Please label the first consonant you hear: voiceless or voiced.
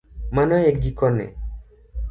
voiced